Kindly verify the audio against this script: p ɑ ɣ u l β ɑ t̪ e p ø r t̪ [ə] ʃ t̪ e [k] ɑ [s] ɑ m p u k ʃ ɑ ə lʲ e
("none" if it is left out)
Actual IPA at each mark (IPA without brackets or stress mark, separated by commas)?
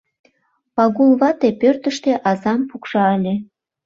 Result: ə, ʔ, z